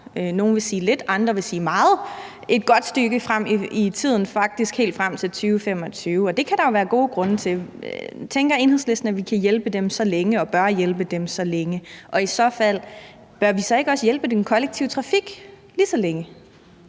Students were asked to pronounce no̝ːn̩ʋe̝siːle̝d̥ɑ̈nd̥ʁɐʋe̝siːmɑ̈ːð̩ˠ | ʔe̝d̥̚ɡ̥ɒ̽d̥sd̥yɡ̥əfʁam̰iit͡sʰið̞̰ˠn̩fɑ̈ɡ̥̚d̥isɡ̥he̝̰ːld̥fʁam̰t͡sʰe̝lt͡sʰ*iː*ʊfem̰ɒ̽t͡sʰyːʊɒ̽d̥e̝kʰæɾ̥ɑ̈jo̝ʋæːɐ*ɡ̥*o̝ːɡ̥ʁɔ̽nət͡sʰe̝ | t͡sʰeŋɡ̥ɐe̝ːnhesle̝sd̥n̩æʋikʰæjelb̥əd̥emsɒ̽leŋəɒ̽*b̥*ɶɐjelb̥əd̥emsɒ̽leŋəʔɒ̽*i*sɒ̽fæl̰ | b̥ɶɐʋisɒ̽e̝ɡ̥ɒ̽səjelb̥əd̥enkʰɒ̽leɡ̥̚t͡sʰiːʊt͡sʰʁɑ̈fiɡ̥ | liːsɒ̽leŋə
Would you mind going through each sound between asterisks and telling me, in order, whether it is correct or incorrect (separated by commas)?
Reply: incorrect, correct, correct, correct